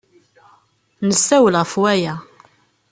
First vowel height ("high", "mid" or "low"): mid